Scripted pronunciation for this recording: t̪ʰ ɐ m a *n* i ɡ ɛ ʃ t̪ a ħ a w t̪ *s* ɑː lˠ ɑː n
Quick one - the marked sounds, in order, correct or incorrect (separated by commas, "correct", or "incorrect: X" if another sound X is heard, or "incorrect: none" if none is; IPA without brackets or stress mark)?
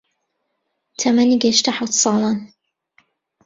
correct, correct